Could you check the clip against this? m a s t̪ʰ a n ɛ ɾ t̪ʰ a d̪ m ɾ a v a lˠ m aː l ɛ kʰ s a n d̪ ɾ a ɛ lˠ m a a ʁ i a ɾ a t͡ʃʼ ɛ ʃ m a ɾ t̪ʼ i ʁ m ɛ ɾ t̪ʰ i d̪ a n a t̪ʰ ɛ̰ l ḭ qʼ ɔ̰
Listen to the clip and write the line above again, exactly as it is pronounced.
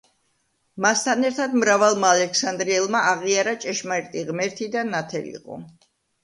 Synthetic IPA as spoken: m a s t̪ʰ a n ɛ ɾ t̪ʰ a d̪ m ɾ a v a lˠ m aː l ɛ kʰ s a n d̪ ɾ i ɛ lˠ m a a ʁ i a ɾ a t͡ʃʼ ɛ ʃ m a ɾ t̪ʼ i ʁ m ɛ ɾ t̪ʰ i d̪ a n a t̪ʰ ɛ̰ l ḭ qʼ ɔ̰